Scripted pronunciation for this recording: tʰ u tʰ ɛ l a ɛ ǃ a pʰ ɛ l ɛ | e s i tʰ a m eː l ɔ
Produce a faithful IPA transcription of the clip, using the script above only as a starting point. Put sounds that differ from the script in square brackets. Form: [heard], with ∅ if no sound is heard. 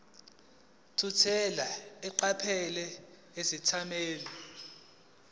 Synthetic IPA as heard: tʰ u tʰ ɛ l a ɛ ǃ a pʰ ɛ l ɛ | e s i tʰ a m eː l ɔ